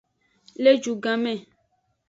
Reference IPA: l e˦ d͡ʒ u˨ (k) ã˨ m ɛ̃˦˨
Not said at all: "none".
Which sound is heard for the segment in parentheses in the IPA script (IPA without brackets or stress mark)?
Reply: ɡ